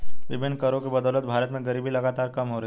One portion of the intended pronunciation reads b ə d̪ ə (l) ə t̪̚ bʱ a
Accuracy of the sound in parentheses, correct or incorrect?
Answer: correct